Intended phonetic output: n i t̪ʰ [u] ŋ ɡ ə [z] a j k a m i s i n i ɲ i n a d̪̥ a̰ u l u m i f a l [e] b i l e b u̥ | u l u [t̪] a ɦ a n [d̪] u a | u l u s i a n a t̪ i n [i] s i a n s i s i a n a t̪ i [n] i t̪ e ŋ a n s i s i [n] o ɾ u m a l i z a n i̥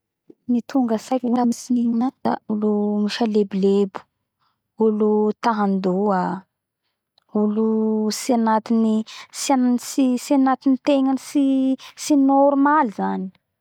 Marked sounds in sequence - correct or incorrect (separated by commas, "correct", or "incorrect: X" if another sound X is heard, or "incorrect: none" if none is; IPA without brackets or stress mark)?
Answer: correct, incorrect: s, correct, correct, correct, correct, correct, correct